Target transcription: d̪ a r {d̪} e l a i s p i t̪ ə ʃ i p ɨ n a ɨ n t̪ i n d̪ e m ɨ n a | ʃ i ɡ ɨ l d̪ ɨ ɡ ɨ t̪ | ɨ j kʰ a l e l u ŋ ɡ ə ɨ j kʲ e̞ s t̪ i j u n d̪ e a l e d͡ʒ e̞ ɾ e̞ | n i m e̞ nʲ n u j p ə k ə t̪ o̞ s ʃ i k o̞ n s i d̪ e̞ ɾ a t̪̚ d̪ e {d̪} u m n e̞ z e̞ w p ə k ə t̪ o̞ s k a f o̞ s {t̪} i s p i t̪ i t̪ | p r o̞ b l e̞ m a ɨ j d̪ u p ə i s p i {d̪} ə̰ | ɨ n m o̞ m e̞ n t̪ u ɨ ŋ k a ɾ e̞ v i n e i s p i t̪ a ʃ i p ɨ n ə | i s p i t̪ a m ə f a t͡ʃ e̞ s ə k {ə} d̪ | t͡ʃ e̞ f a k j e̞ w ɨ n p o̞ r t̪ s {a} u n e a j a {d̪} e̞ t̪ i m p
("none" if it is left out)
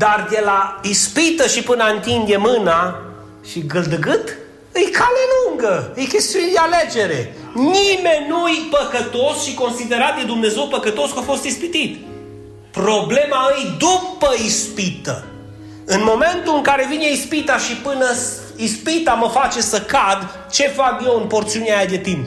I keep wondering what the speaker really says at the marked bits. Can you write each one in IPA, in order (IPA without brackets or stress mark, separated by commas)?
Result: d̪, d̪, t̪, t̪, a, i, d̪